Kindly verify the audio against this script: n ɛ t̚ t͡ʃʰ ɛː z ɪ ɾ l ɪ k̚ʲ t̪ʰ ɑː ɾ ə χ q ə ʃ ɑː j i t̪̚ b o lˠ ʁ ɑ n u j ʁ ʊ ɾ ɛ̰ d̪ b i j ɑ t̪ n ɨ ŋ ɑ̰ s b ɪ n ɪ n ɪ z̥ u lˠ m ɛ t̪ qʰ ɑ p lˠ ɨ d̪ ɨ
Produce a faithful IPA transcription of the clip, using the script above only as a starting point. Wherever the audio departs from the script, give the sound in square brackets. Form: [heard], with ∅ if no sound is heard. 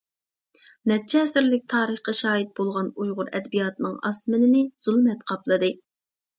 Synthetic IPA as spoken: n ɛ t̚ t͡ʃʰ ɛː [s] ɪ ɾ l ɪ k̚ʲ t̪ʰ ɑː ɾ ə χ q [ɑ] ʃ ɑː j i t̪̚ b o lˠ ʁ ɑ n u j ʁ ʊ ɾ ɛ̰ d̪ b i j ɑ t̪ n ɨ ŋ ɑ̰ s [m] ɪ n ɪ n ɪ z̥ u lˠ m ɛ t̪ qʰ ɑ p lˠ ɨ d̪ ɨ